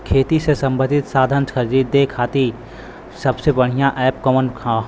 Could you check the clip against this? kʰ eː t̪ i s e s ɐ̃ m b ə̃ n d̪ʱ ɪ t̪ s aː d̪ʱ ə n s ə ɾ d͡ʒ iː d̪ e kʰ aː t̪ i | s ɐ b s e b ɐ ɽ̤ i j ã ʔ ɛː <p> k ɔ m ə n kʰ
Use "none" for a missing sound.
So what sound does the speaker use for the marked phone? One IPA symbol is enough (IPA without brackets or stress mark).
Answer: p